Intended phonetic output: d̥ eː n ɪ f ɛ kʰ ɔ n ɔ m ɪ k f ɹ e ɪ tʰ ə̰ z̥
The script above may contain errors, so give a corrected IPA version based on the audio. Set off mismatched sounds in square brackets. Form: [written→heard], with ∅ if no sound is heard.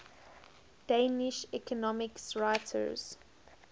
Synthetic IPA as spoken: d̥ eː n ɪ [f→ʃ] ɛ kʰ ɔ n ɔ m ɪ k [f→s] ɹ [e→a] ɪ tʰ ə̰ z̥